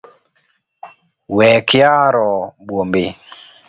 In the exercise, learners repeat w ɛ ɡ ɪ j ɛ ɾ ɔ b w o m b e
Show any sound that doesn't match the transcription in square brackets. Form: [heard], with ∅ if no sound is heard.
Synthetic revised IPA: w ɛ [k] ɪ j [a] ɾ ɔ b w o m b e